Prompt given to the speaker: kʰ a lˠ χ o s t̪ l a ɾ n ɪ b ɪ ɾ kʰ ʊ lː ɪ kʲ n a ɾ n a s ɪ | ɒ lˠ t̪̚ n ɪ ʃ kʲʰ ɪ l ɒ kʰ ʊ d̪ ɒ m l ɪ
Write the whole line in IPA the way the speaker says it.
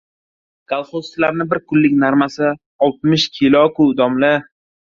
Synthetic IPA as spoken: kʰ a lˠ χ o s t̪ l a ɾ n ɪ b ɪ ɾ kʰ ʊ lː ɪ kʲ n a ɾ m a s ɪ | ɒ lˠ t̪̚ m ɪ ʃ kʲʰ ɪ l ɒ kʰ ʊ d̪ ɒ m l ɪ

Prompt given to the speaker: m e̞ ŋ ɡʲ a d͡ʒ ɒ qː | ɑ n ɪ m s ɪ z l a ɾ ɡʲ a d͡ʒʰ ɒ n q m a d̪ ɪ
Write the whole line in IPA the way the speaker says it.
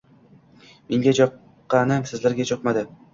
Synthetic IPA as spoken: m e̞ ŋ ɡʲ a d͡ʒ ɒ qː | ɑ n ɪ m s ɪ z l a ɾ ɡʲ a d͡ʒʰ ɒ q m a d̪ ɪ

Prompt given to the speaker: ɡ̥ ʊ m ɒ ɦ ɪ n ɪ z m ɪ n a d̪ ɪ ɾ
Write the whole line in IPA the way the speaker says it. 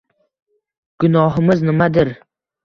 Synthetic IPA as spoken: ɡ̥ ʊ n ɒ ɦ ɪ m ɪ z n ɪ m a d̪ ɪ ɾ

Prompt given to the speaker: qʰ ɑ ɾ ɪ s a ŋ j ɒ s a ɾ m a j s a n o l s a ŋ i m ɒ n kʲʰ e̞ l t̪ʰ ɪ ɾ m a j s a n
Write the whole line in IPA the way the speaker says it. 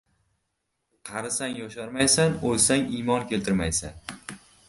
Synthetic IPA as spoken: qʰ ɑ ɾ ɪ s a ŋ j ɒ ʃ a ɾ m a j s a n o l s a ŋ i m ɒ n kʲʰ e̞ l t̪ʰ ɪ ɾ m a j s a n

